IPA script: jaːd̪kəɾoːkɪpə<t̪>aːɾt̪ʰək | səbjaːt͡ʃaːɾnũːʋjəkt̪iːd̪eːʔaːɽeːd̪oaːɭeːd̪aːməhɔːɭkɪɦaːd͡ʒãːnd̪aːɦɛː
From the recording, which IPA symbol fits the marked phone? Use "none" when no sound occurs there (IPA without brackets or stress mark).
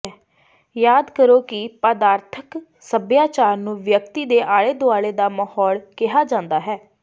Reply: d̪